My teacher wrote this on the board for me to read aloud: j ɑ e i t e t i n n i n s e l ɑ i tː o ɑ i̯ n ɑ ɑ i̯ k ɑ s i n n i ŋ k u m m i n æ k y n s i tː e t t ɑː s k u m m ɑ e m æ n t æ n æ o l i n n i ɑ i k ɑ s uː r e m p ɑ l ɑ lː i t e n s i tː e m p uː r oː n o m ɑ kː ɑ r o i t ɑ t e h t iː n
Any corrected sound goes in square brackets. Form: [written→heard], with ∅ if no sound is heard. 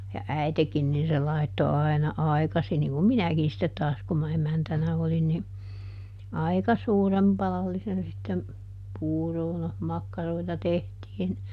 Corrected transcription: j ɑ [e→æ] i t e [t→k] i n n i n s e l ɑ i tː o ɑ i̯ n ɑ ɑ i̯ k ɑ s i n n i ŋ k u m m i n æ k [y→i] n s i tː e t t ɑː s k u m m ɑ e m æ n t æ n æ o l i n n i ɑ i k ɑ s uː r e m p ɑ l ɑ lː i [t→s] e n s i tː e m p uː r oː n o m ɑ kː ɑ r o i t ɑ t e h t iː n